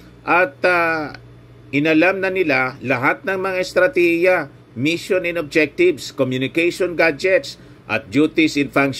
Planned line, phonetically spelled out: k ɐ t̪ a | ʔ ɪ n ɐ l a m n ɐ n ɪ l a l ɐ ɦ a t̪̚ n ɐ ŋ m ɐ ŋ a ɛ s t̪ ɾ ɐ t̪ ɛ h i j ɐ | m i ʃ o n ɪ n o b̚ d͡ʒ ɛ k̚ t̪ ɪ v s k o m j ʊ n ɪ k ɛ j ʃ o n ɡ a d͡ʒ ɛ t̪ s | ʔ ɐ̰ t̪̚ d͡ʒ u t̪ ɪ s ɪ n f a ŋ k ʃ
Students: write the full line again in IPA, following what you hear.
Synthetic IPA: ʔ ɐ t̪ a | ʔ ɪ n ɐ l a m n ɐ n ɪ l a l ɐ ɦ a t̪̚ n ɐ ŋ m ɐ ŋ a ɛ s t̪ ɾ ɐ t̪ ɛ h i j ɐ | m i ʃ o n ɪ n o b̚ d͡ʒ ɛ k̚ t̪ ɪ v s k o m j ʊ n ɪ k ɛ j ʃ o n ɡ a d͡ʒ ɛ t̪ s | ʔ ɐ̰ t̪̚ d͡ʒ u t̪ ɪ s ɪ n f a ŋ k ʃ